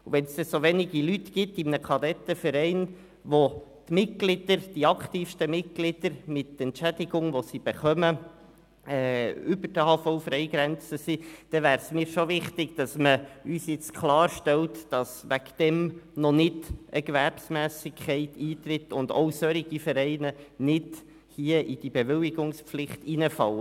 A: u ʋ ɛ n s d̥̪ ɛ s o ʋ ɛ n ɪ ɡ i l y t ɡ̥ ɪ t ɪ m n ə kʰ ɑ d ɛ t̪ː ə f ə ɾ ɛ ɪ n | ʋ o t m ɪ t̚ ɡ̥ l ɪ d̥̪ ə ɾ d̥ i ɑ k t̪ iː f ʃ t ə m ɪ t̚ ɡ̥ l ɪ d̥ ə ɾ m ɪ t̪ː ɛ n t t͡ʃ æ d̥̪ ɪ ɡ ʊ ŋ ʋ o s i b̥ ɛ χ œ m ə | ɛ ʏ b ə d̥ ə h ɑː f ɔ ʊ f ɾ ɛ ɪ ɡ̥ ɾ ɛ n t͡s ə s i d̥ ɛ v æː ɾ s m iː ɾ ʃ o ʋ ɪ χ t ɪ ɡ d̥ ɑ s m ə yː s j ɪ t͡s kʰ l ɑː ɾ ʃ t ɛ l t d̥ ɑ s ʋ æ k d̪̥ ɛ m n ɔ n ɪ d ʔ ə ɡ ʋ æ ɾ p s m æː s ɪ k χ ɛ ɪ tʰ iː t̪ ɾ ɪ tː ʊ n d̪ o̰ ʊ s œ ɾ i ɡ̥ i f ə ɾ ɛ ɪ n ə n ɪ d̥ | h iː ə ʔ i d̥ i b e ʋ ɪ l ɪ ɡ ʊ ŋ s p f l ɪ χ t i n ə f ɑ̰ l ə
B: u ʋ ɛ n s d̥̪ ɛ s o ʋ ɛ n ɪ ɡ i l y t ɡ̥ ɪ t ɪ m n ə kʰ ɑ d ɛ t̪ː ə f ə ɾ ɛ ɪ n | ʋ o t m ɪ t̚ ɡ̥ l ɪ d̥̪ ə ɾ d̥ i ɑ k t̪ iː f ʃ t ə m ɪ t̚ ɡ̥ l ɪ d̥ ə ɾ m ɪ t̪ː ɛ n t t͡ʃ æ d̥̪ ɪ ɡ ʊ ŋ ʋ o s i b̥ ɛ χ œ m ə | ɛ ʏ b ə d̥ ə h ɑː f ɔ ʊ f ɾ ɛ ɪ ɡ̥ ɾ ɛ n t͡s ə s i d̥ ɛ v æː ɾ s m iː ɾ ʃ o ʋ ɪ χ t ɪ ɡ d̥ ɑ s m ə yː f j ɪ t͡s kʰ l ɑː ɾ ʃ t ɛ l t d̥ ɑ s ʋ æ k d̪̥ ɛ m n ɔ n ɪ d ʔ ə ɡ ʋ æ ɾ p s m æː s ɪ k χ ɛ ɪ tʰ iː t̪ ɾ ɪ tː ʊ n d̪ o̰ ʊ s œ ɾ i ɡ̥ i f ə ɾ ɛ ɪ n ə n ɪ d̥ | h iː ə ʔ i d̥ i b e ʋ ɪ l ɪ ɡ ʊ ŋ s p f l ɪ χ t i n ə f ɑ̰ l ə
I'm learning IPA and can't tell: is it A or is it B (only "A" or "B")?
A